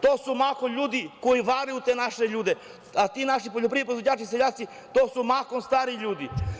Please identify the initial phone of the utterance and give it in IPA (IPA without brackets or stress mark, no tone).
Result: t̪